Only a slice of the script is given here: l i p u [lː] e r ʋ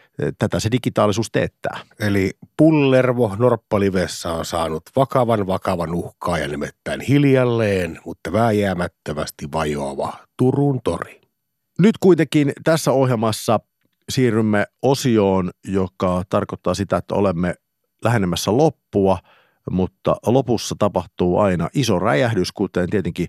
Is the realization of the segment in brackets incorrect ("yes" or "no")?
no